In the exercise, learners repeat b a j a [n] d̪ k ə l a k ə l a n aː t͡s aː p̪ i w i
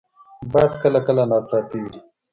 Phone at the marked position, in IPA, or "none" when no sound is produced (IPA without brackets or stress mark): none